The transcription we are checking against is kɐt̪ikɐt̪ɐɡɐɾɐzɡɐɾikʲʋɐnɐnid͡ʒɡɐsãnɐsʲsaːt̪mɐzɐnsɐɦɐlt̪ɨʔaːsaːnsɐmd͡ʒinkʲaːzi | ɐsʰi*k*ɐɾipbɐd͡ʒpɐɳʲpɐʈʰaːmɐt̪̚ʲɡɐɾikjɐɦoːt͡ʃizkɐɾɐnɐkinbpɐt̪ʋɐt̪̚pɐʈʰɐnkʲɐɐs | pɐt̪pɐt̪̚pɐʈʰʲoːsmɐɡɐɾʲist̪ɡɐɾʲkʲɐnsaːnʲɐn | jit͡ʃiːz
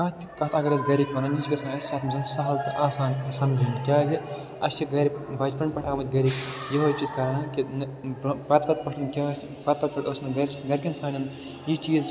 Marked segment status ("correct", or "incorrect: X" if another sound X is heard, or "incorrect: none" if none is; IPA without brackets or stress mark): incorrect: ɡ